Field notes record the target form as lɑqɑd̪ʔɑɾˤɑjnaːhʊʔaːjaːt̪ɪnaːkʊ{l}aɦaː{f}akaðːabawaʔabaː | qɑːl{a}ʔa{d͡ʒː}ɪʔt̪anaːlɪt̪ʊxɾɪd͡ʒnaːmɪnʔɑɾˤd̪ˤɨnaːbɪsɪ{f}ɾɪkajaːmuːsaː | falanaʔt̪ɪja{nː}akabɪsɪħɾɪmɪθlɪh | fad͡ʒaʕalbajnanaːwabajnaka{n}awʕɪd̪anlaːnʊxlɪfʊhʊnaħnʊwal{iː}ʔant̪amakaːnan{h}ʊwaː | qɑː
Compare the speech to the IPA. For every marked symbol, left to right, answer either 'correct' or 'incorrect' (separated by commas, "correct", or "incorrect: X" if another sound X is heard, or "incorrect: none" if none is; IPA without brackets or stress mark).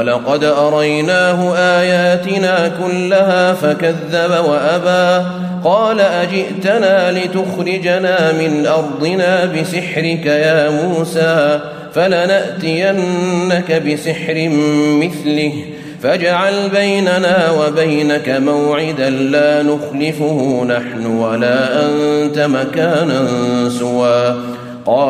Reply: incorrect: lː, correct, correct, incorrect: d͡ʒ, incorrect: ħ, correct, incorrect: m, incorrect: aː, incorrect: s